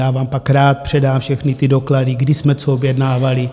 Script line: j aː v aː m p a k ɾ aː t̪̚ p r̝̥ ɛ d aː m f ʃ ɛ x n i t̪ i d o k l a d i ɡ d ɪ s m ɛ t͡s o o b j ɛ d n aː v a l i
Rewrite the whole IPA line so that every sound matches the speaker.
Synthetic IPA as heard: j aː v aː m p a k ɾ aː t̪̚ p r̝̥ ɛ d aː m f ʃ ɛ x n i t̪ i d o k l a d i ɡ d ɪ s m ɛ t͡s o o b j ɛ d n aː v a l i